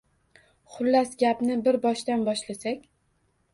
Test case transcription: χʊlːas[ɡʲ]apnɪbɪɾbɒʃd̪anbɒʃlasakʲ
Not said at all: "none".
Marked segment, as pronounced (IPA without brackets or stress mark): ɡʲ